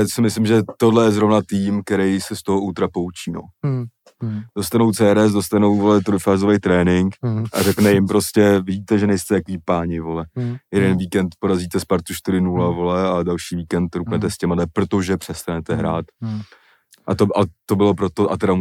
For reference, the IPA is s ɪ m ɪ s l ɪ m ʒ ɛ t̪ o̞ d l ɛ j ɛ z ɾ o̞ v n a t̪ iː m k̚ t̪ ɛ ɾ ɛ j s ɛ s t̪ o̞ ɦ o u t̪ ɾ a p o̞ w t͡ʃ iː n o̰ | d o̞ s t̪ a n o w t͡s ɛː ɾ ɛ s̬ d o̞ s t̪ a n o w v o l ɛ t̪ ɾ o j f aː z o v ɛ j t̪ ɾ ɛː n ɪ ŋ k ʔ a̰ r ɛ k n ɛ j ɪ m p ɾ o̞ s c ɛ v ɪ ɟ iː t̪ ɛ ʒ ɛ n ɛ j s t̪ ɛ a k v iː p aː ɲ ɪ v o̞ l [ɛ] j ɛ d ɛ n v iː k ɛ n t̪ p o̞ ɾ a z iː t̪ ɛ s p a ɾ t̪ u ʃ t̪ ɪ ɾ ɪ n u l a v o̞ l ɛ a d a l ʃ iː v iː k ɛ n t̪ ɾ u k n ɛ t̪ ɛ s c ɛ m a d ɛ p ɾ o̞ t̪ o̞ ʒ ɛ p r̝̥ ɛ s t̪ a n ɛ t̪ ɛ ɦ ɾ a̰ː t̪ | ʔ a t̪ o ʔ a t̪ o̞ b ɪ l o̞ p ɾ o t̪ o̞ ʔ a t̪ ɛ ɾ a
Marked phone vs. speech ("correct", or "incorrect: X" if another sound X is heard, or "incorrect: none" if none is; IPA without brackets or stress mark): correct